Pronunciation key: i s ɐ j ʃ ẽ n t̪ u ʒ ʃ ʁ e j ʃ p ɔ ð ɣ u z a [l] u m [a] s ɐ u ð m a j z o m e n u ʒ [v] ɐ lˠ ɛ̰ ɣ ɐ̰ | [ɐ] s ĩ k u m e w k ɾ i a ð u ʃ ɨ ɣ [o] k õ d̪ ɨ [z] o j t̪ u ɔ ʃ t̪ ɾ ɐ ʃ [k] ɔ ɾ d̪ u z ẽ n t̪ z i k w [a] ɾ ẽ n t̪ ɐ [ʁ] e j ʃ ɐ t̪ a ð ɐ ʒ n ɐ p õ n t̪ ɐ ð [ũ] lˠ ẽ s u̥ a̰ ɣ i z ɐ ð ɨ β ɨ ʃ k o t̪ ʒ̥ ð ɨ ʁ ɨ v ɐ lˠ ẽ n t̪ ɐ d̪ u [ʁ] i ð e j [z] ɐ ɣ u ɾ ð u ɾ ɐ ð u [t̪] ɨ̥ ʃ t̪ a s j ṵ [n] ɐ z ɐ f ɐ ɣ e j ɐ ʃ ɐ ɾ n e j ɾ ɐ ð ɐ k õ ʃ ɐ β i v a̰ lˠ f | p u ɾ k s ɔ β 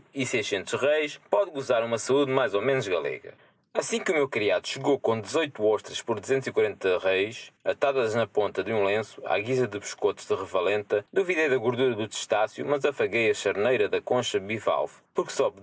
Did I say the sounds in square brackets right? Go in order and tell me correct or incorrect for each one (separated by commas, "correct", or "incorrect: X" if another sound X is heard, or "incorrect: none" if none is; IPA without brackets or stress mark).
incorrect: ɾ, incorrect: ɐ, incorrect: ɣ, correct, correct, correct, incorrect: p, incorrect: ɐ, correct, correct, incorrect: v, incorrect: ð, correct, incorrect: m